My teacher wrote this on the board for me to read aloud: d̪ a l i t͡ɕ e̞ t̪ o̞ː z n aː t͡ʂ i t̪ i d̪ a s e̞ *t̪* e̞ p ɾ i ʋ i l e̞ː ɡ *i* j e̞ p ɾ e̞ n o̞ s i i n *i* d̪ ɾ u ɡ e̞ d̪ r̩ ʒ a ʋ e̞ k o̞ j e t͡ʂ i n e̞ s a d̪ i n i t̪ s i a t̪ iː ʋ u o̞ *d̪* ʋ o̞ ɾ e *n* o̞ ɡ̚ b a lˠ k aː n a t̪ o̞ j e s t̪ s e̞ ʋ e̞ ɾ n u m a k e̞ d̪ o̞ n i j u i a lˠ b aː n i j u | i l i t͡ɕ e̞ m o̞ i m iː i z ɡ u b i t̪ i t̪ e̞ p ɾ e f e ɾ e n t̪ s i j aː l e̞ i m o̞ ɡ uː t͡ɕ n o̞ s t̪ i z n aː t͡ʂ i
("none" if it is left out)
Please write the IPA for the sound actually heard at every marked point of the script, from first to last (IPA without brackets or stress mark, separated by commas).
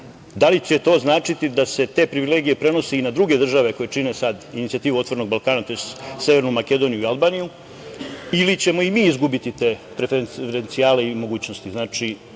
t̪, i, a, t̪, n